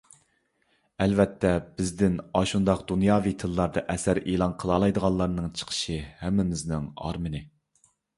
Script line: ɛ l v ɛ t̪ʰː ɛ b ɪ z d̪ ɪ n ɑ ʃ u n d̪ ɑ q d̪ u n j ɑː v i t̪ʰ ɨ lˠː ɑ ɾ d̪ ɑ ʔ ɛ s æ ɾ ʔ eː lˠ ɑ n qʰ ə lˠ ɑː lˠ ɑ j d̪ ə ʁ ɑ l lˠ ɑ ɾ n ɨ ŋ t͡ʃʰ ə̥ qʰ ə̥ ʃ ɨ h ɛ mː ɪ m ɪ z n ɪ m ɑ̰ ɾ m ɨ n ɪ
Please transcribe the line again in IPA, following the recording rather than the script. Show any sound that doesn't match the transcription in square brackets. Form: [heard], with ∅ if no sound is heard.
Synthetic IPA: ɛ l v ɛ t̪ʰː ɛ b ɪ z d̪ ɪ n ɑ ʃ u n d̪ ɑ q d̪ u n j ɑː v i t̪ʰ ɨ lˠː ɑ ɾ d̪ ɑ ʔ ɛ s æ ɾ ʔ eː lˠ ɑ n qʰ ə lˠ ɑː lˠ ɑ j d̪ ə ʁ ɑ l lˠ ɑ ɾ n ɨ ŋ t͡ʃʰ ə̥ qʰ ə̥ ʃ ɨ h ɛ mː ɪ m ɪ z n ɪ [ŋ] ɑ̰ ɾ m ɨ n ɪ